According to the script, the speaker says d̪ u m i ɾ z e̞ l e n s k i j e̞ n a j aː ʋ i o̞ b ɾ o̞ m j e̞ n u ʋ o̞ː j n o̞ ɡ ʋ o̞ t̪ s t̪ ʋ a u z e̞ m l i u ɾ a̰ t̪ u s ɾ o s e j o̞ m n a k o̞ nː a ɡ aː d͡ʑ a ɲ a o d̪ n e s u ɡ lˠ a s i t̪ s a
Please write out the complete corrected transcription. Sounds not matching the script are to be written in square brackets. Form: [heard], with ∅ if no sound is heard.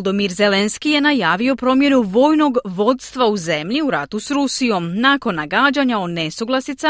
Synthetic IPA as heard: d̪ [o] m i ɾ z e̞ l e n s k i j e̞ n a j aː ʋ i o̞ [p] ɾ o̞ m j e̞ n u ʋ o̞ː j n o̞ ɡ ʋ o̞ t̪ s t̪ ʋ a u z e̞ m [ʎ] i u ɾ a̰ t̪ u s ɾ [u] s [i] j o̞ m n a k o̞ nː a ɡ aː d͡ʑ a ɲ a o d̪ n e s u ɡ lˠ a s i t̪ s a